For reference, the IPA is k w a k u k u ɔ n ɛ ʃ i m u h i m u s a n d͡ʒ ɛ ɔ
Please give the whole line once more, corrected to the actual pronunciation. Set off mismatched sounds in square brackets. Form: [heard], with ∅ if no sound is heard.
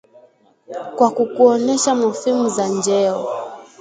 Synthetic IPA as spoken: k w a k u k u ɔ n ɛ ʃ [a] m u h i m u [z] a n d͡ʒ ɛ ɔ